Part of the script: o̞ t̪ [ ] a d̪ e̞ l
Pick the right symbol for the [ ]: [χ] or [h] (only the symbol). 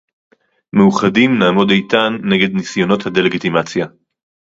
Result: h